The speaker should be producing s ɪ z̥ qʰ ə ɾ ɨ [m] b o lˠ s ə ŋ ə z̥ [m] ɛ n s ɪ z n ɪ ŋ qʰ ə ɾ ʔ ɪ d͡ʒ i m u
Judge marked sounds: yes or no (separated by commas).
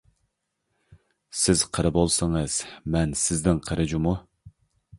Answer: no, yes